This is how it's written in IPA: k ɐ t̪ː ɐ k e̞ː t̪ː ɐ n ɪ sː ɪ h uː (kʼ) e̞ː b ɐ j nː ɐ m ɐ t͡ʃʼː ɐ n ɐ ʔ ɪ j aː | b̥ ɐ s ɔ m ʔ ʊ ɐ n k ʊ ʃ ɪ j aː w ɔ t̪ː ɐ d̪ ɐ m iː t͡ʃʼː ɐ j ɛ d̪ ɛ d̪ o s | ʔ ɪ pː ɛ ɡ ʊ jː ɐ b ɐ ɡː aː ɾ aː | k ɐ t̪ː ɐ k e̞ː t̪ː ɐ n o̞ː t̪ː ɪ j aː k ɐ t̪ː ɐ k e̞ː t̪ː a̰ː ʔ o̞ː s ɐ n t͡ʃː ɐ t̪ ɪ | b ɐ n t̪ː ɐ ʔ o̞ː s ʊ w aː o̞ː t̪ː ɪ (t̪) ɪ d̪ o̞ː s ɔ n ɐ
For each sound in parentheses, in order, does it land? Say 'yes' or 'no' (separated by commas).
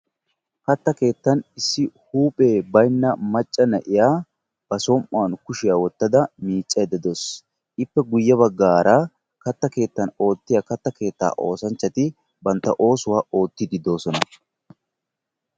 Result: no, no